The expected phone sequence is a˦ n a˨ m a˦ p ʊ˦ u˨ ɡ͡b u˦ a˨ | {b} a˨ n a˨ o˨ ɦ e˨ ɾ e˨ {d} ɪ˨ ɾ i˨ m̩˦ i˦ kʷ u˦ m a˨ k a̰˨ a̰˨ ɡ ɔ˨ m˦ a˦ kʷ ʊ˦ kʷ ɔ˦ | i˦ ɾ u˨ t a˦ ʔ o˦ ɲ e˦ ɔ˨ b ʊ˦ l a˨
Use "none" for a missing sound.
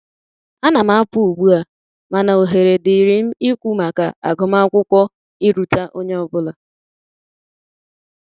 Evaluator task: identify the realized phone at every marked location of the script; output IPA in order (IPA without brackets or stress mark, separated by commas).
m, d